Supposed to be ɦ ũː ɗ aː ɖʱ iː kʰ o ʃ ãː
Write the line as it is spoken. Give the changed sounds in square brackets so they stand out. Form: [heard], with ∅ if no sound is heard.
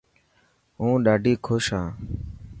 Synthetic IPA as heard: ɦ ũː ɗ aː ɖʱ iː kʰ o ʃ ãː